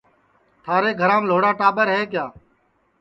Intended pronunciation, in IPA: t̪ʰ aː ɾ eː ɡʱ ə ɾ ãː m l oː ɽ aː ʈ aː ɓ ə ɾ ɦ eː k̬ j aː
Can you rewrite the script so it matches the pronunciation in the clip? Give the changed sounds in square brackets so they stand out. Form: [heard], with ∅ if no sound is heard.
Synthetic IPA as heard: t̪ʰ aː ɾ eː ɡʱ ə ɾ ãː m l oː ɽ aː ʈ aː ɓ ə ɾ ɦ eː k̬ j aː